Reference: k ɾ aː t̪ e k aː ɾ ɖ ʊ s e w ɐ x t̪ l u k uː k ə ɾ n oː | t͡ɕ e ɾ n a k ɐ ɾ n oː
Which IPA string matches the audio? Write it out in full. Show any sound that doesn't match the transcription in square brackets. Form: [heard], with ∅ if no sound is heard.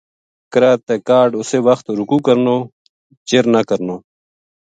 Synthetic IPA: k ɾ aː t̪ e k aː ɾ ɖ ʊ s e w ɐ x t̪ [ɾ] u k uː k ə ɾ n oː | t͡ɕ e ɾ n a k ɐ ɾ n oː